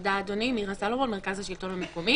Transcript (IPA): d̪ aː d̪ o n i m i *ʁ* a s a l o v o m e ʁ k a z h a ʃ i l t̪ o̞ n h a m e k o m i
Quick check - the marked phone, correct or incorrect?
correct